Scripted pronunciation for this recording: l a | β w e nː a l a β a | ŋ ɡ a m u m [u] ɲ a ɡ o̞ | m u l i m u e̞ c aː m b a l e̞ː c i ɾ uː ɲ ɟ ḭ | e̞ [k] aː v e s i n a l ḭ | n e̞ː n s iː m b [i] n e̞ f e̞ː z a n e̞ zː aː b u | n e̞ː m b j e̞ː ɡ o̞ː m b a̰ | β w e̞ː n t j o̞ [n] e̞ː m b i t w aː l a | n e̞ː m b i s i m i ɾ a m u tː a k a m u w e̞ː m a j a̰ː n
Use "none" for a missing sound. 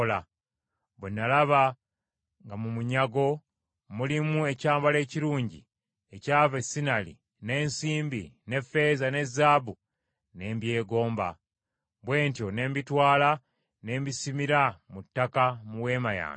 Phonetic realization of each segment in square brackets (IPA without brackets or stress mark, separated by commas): u, c, i, n